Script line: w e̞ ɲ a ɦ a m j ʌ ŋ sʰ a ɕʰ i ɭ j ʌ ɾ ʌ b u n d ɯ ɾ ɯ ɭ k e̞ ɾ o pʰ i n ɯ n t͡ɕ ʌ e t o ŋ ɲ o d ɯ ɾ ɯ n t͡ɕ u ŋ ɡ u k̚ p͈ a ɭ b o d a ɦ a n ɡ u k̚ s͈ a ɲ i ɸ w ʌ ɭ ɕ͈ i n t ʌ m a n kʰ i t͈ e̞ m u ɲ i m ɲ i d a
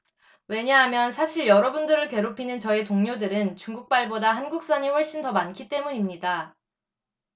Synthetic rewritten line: w e̞ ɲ a ɦ a m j ʌ n sʰ a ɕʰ i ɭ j ʌ ɾ ʌ b u n d ɯ ɾ ɯ ɭ k e̞ ɾ o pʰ i n ɯ n t͡ɕ ʌ e t o ŋ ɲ o d ɯ ɾ ɯ n t͡ɕ u ŋ ɡ u k̚ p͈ a ɭ b o d a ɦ a n ɡ u k̚ s͈ a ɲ i ɸ w ʌ ɭ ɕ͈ i n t ʌ m a n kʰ i t͈ e̞ m u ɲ i m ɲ i d a